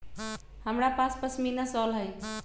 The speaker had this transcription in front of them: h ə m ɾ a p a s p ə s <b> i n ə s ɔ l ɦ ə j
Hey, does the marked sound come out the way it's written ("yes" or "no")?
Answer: no